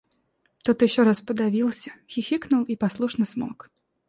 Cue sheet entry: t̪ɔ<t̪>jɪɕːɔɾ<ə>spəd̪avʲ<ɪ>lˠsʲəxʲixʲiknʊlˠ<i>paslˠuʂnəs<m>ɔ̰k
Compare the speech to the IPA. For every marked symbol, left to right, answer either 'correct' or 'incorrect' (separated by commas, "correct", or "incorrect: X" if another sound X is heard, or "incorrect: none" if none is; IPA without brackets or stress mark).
correct, incorrect: a, incorrect: i, correct, correct